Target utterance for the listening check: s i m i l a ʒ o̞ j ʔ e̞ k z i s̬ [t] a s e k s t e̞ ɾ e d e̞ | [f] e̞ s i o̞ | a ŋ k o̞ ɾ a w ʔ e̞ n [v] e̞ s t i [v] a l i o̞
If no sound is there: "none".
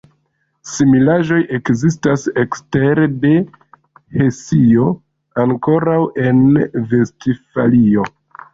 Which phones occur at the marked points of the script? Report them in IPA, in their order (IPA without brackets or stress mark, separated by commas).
t, h, v, f